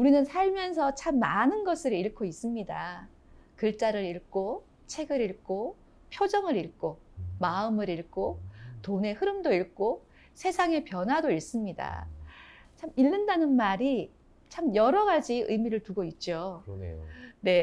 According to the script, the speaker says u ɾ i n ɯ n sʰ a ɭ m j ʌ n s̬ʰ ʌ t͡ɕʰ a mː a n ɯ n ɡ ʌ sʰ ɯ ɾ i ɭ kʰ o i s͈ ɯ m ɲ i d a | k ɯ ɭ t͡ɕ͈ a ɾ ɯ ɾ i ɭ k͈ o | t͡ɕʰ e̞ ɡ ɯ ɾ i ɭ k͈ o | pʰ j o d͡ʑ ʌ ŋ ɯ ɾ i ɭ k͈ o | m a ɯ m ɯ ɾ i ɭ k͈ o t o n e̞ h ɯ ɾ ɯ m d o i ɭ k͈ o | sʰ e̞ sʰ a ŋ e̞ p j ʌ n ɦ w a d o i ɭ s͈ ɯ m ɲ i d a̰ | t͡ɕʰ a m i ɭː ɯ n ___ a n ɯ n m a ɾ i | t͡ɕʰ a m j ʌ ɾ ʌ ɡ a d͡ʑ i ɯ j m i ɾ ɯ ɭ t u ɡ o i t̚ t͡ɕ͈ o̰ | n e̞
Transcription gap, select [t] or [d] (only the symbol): d